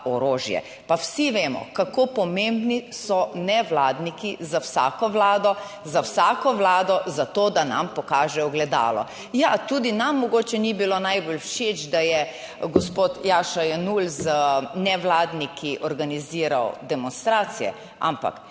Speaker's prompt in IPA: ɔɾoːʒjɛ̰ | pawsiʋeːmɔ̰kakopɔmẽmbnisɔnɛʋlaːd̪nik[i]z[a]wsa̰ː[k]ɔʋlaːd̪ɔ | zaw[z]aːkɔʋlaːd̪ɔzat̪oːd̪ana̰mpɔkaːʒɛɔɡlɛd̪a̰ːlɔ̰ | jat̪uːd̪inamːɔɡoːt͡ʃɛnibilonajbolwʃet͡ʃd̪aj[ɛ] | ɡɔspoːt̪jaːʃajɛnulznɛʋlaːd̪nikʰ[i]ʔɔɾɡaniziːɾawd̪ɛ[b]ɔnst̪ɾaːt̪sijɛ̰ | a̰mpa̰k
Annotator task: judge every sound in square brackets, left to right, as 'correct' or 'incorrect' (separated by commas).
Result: correct, correct, correct, incorrect, correct, correct, incorrect